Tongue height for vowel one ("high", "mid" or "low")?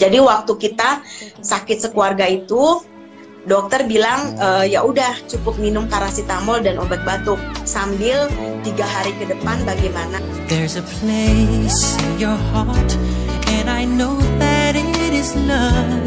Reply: low